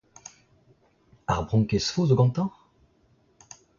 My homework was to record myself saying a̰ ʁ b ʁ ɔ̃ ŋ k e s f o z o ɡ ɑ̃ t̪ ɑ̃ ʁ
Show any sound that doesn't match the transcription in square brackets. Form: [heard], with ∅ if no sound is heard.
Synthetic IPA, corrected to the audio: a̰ ʁ b ʁ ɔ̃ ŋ k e s f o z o ɡ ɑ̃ t̪ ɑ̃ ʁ